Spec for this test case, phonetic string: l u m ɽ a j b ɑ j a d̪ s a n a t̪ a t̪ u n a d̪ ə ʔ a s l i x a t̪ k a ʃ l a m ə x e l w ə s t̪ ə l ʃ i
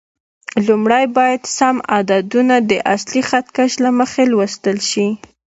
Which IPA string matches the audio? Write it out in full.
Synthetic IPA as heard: l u m ɽ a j b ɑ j a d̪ s a m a d̪ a d̪ u n a d̪ ə ʔ a s l i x a t̪ k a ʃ l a m ə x e l w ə s t̪ ə l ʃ i